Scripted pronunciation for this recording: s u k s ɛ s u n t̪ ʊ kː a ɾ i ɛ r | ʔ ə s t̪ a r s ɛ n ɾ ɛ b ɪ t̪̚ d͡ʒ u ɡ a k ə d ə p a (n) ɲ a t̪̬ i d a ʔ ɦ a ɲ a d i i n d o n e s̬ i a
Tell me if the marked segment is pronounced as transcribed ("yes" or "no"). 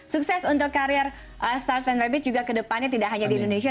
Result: yes